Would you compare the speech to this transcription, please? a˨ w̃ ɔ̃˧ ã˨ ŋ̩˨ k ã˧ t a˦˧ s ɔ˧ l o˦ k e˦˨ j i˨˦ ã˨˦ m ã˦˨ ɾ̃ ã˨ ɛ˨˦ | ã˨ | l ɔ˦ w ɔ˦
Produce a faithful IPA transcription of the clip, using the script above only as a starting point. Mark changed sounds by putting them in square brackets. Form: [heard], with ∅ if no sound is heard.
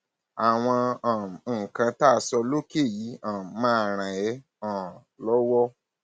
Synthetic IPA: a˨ w̃ ɔ̃˧ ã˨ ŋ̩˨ k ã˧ t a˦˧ s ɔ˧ l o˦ k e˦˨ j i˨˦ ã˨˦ m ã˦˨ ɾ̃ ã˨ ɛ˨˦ | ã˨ | l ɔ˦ w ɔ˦